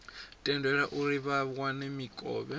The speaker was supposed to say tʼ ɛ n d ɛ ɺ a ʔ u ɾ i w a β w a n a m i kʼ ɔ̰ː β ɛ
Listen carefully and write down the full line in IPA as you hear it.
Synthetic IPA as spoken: tʼ ɛ n d ɛ ɺ a ʔ u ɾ i β a β w a n ɛ m i kʼ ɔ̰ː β ɛ